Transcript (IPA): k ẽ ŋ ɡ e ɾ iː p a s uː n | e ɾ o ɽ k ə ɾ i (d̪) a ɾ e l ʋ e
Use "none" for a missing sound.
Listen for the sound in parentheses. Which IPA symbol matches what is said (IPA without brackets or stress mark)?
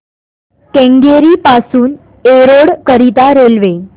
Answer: t̪